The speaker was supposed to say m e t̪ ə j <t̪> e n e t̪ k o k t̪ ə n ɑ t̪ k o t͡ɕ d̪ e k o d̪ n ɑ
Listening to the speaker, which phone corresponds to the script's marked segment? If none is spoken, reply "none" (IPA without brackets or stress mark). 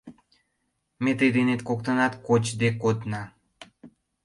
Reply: d̪